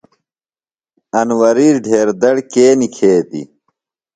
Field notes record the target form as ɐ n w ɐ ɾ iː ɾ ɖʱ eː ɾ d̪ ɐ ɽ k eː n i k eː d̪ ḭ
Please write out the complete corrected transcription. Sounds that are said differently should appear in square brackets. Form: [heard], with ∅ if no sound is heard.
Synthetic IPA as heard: ɐ n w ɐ ɾ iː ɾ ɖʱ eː ɾ d̪ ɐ ɽ k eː n i [kʰ] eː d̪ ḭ